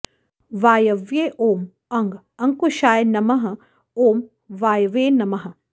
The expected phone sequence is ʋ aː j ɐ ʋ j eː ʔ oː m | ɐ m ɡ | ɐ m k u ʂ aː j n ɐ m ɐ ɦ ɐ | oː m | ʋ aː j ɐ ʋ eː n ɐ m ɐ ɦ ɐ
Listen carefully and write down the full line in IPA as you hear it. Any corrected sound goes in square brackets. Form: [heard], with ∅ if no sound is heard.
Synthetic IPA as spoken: ʋ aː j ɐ ʋ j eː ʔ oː m | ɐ [ŋ] ɡ | ɐ [ŋ] k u [ʃ] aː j n ɐ m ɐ ɦ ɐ | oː m | ʋ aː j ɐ ʋ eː n ɐ m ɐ ɦ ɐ